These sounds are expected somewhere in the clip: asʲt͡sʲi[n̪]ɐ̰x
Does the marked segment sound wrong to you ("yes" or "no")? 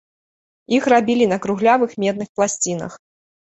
no